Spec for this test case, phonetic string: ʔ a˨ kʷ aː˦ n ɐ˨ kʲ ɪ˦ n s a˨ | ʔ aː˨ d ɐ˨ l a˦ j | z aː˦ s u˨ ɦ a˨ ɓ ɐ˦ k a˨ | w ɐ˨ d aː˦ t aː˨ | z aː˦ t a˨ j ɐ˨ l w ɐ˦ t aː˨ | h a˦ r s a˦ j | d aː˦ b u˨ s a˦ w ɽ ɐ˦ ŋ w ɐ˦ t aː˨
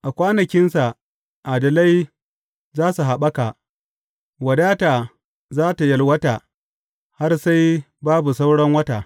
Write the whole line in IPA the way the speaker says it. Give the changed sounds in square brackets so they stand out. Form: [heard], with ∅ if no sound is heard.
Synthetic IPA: ʔ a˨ kʷ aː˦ n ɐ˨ kʲ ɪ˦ n s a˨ | ʔ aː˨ d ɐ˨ l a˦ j | z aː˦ s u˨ ɦ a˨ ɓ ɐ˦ k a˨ | w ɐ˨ d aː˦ t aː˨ | z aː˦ t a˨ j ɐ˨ l w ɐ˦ t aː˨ | h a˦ r s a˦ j | [b] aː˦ b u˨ s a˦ w ɽ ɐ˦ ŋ w ɐ˦ t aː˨

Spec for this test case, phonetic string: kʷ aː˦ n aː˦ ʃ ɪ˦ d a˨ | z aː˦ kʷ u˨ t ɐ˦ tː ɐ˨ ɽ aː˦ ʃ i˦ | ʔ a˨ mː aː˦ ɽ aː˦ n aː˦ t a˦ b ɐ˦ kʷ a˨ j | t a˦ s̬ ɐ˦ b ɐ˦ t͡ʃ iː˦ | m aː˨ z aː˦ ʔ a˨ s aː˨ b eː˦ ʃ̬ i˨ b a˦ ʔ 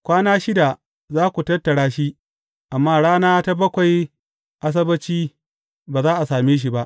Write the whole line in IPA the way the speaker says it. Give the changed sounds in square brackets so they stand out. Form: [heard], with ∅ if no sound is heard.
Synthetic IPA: kʷ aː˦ n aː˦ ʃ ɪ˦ d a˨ | z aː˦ kʷ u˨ t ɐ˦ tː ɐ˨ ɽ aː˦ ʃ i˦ | ʔ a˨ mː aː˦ ɽ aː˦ n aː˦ t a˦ b ɐ˦ kʷ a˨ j | [ʔ] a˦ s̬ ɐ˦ b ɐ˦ t͡ʃ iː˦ | [b] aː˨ z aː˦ ʔ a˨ s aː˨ [m] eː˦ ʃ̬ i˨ b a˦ ʔ

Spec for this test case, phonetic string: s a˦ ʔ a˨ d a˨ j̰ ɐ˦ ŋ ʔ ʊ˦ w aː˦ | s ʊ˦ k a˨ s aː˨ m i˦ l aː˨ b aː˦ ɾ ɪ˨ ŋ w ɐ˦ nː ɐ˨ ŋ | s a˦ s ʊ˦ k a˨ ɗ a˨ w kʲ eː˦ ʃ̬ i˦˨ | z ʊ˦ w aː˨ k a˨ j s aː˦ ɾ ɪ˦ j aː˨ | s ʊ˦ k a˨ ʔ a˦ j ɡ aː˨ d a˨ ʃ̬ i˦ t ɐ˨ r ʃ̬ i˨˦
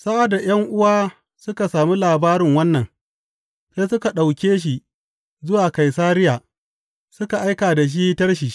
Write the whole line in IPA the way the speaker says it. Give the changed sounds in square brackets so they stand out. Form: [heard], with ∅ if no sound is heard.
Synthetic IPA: s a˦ ʔ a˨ d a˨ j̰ ɐ˦ ŋ ʔ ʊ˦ w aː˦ | s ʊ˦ k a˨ s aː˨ m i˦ l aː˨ b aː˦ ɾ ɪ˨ ŋ w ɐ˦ nː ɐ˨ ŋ | s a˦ s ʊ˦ k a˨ ɗ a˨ w kʲ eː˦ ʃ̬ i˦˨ | z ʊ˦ w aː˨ k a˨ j s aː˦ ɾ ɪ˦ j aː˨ | s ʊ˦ k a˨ ʔ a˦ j [k] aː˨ d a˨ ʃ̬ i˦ t [ɐ˦] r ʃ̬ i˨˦

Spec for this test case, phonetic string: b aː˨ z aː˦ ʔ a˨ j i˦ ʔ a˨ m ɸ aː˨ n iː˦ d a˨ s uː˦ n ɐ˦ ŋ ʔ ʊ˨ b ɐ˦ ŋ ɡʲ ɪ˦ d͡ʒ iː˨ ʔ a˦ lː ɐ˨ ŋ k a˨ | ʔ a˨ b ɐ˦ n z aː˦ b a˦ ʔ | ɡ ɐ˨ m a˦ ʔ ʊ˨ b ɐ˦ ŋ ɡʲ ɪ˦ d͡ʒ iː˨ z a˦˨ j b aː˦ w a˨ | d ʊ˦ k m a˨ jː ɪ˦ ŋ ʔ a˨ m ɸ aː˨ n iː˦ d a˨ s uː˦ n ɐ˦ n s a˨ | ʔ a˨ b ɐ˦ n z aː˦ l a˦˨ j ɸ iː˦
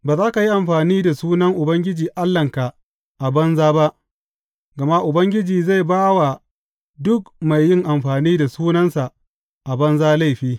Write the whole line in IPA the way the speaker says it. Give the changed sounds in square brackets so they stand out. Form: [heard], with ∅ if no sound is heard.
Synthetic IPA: b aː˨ z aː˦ [k] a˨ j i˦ ʔ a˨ m ɸ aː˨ n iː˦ d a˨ s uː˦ n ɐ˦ ŋ ʔ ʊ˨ b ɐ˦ ŋ ɡʲ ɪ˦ d͡ʒ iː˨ ʔ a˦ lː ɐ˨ ŋ k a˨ | ʔ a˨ b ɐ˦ n z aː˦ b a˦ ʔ | ɡ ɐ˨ m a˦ ʔ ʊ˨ b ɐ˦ ŋ ɡʲ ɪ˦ d͡ʒ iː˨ z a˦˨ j b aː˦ w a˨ | d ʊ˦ k m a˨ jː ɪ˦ ŋ ʔ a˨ m ɸ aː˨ n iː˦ d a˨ s uː˦ n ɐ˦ n s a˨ | ʔ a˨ b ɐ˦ n z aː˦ l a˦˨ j ɸ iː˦

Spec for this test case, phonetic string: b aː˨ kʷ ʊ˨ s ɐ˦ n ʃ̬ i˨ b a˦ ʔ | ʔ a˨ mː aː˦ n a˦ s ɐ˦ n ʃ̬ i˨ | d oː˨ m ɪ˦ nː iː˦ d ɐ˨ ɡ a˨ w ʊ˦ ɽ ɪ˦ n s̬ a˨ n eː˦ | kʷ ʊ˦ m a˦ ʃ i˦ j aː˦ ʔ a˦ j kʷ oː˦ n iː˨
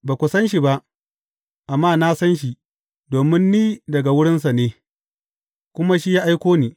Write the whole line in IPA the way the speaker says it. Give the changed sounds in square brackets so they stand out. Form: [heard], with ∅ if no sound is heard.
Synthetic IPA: b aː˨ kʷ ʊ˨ s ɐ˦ n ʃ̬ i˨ b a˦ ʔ | ʔ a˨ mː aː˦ n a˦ s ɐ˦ n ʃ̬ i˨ | d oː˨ m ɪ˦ nː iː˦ d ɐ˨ ɡ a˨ w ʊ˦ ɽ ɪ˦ n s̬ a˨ n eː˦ | kʷ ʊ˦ m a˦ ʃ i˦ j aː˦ ʔ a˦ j kʷ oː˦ n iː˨

